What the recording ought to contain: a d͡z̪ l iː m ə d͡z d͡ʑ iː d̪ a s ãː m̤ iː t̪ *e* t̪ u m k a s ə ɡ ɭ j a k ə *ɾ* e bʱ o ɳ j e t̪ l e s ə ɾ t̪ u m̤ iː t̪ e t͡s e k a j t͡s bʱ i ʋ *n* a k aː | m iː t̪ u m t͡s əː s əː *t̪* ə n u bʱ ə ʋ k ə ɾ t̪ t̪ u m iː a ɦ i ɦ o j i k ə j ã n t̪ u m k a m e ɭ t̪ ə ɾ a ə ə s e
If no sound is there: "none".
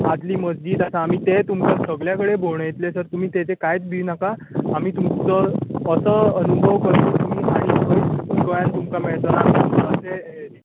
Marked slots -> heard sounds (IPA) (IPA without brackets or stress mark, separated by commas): e, ɽ, n, none